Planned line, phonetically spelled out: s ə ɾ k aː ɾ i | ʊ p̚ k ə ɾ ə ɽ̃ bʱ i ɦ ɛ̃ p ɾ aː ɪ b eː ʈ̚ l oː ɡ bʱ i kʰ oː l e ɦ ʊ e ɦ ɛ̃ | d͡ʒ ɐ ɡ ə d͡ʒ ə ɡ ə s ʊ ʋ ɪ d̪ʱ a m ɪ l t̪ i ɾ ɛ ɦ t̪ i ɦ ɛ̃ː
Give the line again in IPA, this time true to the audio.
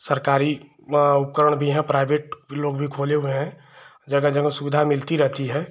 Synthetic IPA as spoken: s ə ɾ k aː ɾ i | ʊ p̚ k ə ɾ ə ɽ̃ bʱ i ɦ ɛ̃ p ɾ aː ɪ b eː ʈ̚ l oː ɡ bʱ i kʰ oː l e ɦ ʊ e ɦ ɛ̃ | d͡ʒ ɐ ɡ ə d͡ʒ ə ɡ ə s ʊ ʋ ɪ d̪ʱ a m ɪ l t̪ i ɾ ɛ ɦ t̪ i ɦ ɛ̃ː

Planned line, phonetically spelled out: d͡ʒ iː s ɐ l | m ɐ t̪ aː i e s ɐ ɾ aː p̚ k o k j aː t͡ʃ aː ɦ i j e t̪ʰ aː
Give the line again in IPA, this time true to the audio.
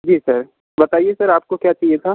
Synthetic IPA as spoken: d͡ʒ iː s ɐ ɾ | b ɐ t̪ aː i e s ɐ ɾ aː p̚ k o k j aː t͡ʃ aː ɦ i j e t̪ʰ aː

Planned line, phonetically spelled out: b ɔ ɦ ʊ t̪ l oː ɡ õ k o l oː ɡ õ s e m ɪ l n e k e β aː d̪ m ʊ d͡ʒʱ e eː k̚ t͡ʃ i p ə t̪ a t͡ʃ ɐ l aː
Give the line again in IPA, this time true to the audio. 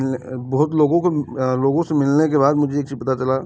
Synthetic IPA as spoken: b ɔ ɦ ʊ t̪ l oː ɡ õ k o l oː ɡ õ s e m ɪ l n e k e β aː d̪ m ʊ d͡ʒʱ e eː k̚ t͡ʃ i p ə t̪ a t͡ʃ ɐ l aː

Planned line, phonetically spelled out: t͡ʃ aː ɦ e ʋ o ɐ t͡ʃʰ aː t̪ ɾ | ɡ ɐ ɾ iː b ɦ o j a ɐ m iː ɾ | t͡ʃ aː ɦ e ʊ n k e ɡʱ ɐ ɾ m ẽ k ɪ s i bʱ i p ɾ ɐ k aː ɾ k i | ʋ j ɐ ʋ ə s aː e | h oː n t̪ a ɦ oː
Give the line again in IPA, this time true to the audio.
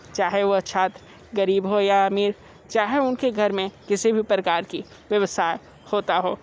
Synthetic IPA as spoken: t͡ʃ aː ɦ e ʋ o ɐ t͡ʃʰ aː t̪ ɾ | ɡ ɐ ɾ iː b ɦ o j a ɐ m iː ɾ | t͡ʃ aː ɦ e ʊ n k e ɡʱ ɐ ɾ m ẽ k ɪ s i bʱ i p ɾ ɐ k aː ɾ k i | ʋ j ɐ ʋ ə s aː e | h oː t̪ a ɦ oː

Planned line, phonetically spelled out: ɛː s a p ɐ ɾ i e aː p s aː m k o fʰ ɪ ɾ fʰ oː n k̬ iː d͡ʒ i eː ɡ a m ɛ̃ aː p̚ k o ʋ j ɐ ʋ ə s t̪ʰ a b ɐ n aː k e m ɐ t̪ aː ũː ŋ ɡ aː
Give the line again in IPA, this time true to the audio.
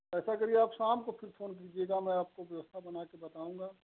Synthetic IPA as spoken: ɛː s a k ɐ ɾ i e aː p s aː m k o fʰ ɪ ɾ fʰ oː n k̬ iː d͡ʒ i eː ɡ a m ɛ̃ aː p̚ k o ʋ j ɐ ʋ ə s t̪ʰ a b ɐ n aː k e b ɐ t̪ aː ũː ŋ ɡ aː

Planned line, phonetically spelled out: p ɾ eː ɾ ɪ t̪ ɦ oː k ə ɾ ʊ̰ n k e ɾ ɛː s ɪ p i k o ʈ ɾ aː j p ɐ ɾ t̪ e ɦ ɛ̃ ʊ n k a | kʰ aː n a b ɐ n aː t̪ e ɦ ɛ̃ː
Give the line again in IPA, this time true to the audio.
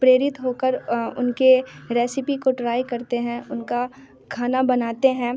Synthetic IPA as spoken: p ɾ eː ɾ ɪ t̪ ɦ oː k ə ɾ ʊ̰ n k e ɾ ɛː s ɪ p i k o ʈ ɾ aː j k ɐ ɾ t̪ e ɦ ɛ̃ ʊ n k a | kʰ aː n a b ɐ n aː t̪ e ɦ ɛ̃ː

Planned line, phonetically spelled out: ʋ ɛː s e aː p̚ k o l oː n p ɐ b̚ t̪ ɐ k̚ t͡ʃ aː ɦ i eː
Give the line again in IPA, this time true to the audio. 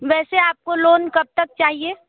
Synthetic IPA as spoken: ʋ ɛː s e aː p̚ k o l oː n k ɐ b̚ t̪ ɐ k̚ t͡ʃ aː ɦ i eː

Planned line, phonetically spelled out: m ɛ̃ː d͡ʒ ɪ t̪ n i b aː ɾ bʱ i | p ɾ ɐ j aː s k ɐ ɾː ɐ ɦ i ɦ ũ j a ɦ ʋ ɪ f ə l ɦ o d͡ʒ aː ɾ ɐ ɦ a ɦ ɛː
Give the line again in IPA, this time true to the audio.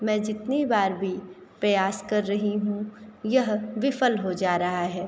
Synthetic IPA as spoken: m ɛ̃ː d͡ʒ ɪ t̪ n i b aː ɾ bʱ i | p ɾ ɐ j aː s k ɐ ɾː ɐ ɦ i ɦ ũ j ɐ ɦ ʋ ɪ f ə l ɦ o d͡ʒ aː ɾ ɐ ɦ a ɦ ɛː

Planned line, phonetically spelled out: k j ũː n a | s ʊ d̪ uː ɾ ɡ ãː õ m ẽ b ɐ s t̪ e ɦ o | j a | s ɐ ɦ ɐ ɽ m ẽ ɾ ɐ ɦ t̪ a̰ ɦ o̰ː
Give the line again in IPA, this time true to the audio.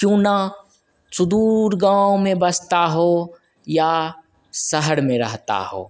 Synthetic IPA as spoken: k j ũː n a | s ʊ d̪ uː ɾ ɡ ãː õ m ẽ b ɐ s t̪ a ɦ o | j a | s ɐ ɦ ə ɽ m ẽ ɾ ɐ ɦ t̪ a̰ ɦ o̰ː

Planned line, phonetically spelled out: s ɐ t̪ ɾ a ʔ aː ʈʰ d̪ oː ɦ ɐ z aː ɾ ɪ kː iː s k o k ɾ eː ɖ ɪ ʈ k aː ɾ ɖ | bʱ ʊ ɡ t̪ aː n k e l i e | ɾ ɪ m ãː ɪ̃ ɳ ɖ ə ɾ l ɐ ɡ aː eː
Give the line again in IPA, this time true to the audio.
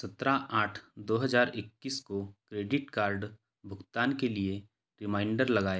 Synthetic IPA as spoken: s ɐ t̪ ɾ a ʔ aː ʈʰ d̪ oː ɦ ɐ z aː ɾ ɪ kː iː s k o k ɾ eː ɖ ɪ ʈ k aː ɾ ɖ | bʱ ʊ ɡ t̪ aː n k e l i e | ɾ ɪ m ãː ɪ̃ ɳ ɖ ə ɾ l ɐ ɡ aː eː

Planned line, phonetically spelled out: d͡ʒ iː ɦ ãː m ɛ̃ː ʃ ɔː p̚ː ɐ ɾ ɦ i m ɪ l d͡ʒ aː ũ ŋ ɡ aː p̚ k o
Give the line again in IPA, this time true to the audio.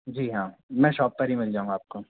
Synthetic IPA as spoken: d͡ʒ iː ɦ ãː m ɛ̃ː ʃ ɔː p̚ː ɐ ɾ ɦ i m ɪ l d͡ʒ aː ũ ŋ ɡ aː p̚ k o

